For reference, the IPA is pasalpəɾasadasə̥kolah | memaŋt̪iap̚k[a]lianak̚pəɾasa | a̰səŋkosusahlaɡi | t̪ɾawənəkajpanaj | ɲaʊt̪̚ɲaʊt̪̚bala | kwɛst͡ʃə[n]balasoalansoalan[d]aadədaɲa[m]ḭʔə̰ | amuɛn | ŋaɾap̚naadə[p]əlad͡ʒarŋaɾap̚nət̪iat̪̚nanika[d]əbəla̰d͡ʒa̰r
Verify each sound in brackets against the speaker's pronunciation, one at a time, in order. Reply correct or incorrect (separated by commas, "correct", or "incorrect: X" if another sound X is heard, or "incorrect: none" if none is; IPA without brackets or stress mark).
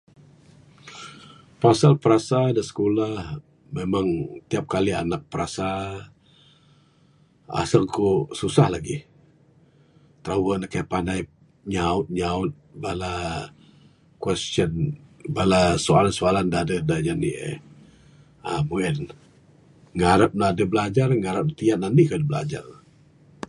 correct, correct, correct, incorrect: n, incorrect: b, correct